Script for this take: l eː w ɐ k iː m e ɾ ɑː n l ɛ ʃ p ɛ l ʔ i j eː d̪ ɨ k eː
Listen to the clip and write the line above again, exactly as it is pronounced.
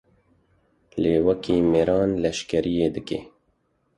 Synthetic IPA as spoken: l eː w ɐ k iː m e ɾ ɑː n l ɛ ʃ k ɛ ɾ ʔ i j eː d̪ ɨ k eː